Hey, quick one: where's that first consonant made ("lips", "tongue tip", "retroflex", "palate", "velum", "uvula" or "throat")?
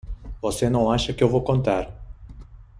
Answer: lips